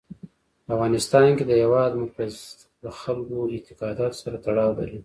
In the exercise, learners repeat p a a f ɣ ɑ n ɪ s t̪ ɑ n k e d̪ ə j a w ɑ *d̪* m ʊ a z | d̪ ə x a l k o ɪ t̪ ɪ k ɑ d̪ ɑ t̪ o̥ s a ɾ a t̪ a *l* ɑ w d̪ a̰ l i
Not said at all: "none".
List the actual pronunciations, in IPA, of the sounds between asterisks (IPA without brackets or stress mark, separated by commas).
d̪, ɽ